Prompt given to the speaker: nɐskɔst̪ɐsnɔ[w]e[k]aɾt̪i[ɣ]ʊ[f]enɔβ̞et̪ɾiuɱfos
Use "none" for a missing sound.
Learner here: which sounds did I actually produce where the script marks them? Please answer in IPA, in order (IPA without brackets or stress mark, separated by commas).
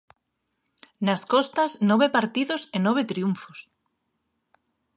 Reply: β, p, ð, s